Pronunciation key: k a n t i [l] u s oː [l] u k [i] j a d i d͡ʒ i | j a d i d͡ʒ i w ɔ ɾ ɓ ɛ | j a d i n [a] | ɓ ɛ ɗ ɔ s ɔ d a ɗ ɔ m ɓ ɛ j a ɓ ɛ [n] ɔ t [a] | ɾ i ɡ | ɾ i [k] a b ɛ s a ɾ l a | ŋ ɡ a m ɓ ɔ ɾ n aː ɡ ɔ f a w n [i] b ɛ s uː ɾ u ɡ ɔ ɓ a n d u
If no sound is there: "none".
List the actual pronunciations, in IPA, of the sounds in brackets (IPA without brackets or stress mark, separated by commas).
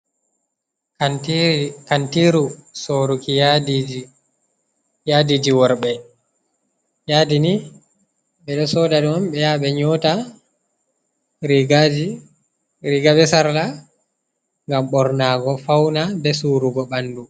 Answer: ɾ, ɾ, i, i, ɲ, a, ɡ, a